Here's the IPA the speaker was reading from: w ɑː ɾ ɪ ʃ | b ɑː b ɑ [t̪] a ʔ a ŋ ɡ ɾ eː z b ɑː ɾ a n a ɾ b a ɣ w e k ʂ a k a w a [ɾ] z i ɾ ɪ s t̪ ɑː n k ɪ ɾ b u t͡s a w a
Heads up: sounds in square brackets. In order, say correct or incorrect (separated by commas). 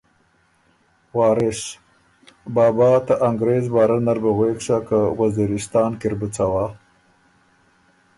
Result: correct, incorrect